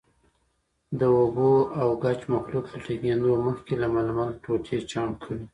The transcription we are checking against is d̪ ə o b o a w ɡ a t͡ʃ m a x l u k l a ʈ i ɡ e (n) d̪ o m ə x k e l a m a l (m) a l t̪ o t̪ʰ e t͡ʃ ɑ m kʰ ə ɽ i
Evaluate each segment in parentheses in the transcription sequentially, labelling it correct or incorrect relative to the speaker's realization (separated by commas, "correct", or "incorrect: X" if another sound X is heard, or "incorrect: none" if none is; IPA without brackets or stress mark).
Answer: correct, correct